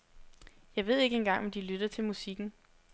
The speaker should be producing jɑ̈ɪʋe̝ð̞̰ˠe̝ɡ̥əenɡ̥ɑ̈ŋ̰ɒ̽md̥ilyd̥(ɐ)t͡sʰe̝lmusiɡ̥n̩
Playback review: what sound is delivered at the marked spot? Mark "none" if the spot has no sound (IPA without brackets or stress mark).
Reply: ɐ